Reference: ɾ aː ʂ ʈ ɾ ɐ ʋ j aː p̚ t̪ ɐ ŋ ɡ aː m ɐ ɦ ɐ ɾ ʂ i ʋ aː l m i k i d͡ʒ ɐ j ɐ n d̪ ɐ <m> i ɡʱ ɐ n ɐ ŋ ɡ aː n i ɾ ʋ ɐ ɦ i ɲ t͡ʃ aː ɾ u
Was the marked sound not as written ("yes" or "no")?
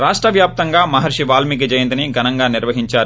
yes